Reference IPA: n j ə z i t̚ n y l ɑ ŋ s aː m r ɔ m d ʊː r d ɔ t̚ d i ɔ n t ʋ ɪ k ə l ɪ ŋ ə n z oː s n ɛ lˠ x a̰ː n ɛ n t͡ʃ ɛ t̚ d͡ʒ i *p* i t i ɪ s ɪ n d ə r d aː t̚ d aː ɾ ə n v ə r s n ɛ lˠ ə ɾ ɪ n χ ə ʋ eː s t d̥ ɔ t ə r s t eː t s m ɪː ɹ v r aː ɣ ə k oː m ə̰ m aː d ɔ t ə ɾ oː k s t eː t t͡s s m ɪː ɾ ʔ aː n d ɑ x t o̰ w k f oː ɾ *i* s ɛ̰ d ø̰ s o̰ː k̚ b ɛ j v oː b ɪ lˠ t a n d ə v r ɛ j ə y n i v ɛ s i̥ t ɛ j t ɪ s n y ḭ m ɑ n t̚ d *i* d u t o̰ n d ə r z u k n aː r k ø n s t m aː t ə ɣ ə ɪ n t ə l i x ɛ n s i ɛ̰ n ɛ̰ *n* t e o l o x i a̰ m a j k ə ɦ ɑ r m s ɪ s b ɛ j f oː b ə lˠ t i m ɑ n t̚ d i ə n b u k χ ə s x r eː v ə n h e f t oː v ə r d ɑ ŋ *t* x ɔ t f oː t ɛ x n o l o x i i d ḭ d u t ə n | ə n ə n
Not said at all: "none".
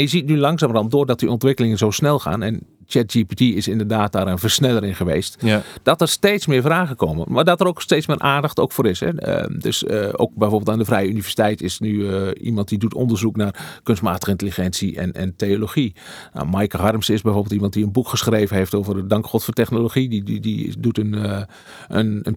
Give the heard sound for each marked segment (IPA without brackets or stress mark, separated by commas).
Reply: p, ɪ, i, n, k